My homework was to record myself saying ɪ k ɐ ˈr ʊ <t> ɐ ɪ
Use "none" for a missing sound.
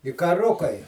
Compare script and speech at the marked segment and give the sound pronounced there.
k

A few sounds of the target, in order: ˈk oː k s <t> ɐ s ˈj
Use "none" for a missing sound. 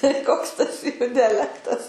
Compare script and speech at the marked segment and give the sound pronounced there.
t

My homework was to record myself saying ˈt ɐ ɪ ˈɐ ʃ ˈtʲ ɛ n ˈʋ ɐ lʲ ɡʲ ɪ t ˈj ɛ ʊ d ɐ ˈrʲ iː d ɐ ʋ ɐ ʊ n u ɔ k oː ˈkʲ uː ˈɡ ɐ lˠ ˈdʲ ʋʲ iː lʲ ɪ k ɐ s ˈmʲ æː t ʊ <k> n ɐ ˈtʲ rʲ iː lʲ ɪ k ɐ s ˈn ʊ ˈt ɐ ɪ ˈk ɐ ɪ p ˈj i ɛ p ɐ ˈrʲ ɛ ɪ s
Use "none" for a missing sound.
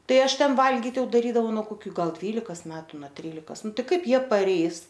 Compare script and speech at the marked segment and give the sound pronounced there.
none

